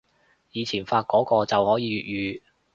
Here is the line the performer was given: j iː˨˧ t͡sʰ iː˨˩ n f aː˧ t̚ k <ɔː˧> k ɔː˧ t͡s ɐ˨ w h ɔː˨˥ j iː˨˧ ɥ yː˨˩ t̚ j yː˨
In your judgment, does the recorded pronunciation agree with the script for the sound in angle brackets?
no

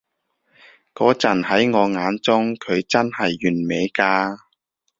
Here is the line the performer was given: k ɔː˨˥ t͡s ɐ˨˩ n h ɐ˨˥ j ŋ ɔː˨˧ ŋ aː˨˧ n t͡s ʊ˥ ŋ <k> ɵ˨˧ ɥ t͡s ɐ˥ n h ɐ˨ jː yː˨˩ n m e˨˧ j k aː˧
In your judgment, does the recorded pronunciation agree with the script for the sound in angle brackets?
no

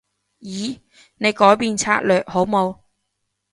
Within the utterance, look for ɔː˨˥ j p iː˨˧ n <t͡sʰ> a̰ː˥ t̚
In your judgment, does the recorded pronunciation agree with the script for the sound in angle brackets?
yes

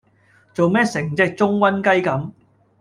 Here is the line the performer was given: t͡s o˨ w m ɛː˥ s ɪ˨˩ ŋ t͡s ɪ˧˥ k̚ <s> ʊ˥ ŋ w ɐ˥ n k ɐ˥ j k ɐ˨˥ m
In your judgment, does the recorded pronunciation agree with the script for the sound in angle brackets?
no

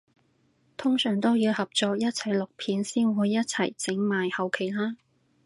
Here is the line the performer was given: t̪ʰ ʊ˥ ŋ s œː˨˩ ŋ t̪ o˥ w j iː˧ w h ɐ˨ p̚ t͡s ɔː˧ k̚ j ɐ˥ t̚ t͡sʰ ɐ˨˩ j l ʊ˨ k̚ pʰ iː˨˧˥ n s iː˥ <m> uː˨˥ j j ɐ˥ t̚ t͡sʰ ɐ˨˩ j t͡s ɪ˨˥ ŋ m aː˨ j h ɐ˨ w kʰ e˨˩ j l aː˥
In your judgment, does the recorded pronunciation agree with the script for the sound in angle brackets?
no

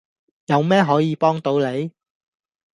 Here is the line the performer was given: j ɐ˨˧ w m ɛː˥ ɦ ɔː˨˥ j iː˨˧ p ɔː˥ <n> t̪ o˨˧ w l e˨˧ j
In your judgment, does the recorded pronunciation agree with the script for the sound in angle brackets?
no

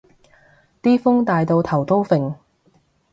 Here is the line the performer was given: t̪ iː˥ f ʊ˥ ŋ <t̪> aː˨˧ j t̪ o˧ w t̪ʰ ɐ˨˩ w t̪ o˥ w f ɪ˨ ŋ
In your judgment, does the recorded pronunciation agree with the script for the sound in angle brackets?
yes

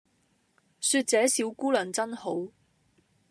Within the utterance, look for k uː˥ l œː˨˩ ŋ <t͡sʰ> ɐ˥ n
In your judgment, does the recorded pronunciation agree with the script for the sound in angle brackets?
no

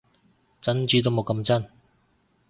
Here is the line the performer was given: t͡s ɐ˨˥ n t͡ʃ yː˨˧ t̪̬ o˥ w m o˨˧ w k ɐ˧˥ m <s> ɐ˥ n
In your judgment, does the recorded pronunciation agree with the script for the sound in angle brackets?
no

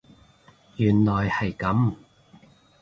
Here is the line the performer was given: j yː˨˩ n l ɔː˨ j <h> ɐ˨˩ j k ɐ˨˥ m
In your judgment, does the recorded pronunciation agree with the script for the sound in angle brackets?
yes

